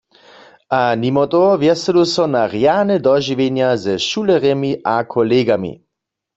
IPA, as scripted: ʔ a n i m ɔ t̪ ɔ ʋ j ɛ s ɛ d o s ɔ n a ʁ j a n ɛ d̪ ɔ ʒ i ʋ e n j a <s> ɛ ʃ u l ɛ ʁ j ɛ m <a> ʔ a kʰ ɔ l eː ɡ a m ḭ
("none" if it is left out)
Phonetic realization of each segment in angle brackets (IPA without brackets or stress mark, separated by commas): z, i